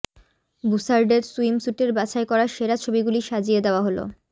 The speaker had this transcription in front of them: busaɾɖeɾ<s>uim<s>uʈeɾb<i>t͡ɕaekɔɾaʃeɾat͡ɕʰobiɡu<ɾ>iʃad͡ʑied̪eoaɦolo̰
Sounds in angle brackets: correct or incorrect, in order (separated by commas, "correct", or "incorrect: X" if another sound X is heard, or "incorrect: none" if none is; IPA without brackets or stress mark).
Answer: correct, correct, incorrect: a, incorrect: l